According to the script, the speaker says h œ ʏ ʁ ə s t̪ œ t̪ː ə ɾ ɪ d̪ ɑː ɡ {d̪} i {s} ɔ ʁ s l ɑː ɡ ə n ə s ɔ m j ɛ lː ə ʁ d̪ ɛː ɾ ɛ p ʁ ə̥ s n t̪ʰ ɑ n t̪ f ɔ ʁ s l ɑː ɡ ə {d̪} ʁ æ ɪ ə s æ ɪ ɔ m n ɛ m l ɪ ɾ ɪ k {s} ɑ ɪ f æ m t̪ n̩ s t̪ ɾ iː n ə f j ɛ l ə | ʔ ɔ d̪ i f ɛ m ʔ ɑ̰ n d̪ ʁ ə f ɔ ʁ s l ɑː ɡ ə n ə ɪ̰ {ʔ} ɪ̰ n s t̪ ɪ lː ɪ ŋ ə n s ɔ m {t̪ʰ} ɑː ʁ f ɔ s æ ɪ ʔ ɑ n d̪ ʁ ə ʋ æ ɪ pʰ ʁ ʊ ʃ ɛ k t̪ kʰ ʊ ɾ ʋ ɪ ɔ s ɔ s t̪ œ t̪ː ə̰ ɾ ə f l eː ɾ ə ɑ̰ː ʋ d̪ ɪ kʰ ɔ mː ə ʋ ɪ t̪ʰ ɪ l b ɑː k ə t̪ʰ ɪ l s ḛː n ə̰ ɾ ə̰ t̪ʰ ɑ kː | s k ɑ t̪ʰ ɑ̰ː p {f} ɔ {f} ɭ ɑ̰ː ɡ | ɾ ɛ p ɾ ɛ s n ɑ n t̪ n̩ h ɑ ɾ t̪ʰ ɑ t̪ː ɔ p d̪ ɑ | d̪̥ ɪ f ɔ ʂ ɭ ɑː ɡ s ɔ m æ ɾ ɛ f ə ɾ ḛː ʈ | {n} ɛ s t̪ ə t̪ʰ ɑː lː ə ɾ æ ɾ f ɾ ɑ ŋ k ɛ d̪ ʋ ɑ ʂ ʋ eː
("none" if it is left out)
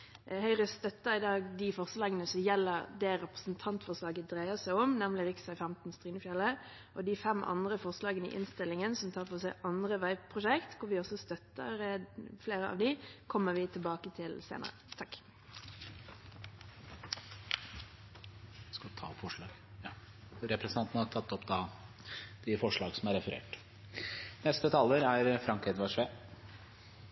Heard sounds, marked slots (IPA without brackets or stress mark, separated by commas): d̪, f, d̪, s, ʔ, t̪ʰ, f, ʂ, n